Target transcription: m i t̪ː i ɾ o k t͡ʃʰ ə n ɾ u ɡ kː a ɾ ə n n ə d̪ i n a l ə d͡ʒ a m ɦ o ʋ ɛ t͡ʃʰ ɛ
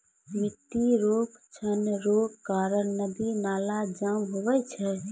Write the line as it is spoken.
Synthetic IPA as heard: m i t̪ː i ɾ o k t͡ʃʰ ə n ɾ o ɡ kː a ɾ ə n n ə d̪ i n a l a d͡ʒ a m ɦ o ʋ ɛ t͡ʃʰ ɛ